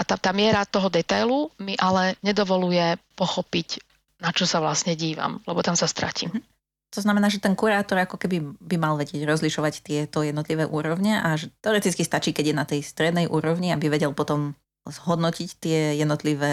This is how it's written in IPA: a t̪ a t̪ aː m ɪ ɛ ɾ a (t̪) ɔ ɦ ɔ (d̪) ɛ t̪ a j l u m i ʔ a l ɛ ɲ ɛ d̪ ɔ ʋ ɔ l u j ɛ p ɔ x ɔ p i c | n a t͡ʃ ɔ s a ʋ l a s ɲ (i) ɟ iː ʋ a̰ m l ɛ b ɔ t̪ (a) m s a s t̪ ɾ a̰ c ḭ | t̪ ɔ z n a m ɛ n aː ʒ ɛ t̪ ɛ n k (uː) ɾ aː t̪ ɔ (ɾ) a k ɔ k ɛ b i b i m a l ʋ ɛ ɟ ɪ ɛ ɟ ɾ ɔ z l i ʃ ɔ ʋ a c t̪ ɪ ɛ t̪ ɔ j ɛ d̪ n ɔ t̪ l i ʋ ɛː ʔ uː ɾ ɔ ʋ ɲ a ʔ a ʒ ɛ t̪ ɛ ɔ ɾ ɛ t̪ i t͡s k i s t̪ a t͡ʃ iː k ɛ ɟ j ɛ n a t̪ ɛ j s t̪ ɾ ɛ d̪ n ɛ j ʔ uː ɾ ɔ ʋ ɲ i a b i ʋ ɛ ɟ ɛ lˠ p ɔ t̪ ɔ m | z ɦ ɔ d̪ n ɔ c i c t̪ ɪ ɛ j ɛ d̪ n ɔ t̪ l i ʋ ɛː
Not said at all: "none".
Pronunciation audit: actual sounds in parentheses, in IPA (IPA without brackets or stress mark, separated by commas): t̪, d̪, ɛ, a, u, ɾ